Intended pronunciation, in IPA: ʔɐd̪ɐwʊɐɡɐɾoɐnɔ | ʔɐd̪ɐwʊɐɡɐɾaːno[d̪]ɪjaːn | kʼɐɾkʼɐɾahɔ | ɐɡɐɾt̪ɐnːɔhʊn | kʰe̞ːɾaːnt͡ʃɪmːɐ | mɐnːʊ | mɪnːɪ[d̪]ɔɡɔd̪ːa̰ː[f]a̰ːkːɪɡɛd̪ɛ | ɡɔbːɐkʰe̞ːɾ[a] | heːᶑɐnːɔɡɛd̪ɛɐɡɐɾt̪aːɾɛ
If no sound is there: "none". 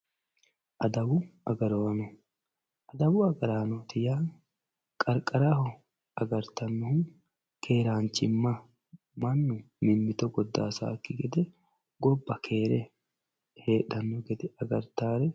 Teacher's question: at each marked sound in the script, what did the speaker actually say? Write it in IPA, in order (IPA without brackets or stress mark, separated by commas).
t̪, t̪, s, ɛ